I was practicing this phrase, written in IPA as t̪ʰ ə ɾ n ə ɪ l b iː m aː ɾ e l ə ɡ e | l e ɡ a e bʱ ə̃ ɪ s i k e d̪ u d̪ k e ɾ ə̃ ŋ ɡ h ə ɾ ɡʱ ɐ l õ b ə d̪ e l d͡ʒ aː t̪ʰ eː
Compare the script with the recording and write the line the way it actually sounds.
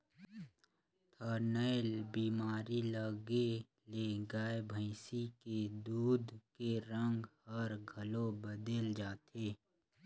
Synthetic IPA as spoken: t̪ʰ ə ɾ n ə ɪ l b iː m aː ɾ i l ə ɡ e | l e ɡ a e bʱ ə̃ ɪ s i k e d̪ uː d̪ k e ɾ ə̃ ŋ ɡ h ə ɾ ɡʱ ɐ l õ b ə d̪ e l d͡ʒ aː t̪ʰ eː